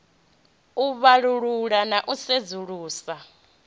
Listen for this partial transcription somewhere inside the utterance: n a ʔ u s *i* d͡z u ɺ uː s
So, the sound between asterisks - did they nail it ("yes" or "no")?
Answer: no